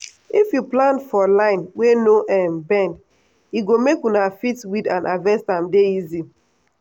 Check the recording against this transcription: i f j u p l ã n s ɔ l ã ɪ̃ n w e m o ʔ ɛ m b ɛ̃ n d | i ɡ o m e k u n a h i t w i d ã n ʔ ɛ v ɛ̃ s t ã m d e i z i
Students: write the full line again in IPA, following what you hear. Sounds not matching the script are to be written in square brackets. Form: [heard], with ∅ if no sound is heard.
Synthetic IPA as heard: i f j u p l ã n [f] ɔ l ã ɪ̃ n w e [n] o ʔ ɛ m b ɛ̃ n d | i ɡ o m e k u n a [f] i t w i d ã n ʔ [a] v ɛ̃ s t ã m d e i z i